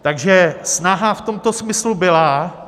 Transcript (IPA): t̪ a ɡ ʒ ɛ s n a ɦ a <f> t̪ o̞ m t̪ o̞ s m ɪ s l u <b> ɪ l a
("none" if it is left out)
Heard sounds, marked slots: f, b

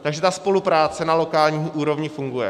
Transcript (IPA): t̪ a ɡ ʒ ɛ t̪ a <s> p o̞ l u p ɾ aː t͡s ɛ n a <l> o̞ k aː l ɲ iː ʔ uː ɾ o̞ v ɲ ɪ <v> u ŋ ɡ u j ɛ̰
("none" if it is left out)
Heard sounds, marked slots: s, l, f

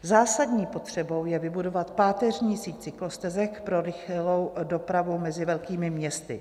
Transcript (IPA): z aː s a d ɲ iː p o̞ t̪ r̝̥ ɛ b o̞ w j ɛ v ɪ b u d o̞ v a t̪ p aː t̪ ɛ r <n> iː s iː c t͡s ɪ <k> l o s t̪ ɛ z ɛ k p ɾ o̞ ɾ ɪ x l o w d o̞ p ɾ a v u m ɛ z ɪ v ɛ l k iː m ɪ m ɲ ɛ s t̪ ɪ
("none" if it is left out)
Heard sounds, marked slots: ɲ, k

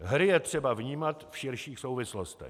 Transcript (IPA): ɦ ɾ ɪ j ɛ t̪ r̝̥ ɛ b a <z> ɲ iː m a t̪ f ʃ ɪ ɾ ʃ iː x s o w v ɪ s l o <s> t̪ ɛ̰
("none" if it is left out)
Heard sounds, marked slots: v, s

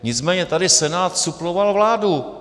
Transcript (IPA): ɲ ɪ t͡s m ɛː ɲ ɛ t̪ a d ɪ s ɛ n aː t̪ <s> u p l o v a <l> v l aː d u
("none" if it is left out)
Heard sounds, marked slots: s, l

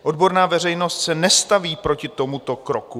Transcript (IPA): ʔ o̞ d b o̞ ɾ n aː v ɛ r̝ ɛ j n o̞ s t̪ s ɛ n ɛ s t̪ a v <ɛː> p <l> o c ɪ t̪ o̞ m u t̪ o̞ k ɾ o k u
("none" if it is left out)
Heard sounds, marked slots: iː, ɾ

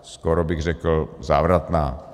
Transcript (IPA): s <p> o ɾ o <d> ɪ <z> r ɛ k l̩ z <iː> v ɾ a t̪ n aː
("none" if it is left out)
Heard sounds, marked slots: k, b, ɣ, aː

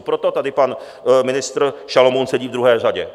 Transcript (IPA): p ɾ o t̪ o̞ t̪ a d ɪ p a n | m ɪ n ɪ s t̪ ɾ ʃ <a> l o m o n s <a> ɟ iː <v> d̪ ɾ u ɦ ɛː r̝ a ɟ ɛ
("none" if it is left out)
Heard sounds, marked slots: a, ɛ, v

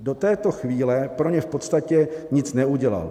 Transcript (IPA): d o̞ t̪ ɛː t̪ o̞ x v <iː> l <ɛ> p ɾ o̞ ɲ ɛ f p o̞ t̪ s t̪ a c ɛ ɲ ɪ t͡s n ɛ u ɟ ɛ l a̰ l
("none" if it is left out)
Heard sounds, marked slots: iː, ɛ

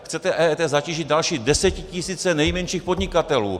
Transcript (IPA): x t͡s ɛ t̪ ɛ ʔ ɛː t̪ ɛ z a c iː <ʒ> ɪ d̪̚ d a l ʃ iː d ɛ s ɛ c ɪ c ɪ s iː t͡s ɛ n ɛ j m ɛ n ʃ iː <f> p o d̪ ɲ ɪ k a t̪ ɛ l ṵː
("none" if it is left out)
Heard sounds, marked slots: ʒ, x

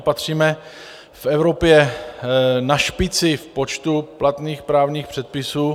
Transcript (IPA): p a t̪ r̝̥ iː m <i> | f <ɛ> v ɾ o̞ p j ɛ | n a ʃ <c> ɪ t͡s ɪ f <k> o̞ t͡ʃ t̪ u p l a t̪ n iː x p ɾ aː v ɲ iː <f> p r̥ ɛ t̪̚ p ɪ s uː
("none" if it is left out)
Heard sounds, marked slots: ɛ, ɛ, p, p, x

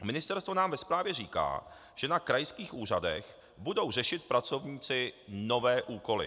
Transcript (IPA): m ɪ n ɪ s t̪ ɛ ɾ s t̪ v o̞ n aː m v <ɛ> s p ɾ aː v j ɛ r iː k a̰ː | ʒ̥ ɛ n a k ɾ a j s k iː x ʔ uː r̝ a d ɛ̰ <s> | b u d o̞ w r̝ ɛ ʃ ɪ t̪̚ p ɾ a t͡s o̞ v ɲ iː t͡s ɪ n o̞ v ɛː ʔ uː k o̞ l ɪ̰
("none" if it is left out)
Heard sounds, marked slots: ɛ, x

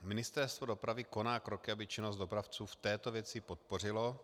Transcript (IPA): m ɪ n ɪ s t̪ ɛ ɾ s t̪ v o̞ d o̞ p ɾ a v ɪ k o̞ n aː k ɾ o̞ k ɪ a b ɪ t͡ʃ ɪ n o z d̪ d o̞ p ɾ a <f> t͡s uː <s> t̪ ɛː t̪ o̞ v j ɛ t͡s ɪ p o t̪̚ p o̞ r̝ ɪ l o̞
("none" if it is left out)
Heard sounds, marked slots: f, f

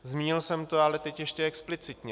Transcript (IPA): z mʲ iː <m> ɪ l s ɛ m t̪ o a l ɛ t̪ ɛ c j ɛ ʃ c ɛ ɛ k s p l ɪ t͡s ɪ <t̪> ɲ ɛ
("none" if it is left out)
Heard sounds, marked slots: ɲ, t̪

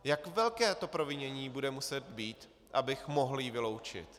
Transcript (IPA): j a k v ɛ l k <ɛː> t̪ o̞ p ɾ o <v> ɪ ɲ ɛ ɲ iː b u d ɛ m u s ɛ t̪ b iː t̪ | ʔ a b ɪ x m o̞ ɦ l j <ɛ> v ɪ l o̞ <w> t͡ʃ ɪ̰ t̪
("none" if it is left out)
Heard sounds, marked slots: ɛː, v, i, w

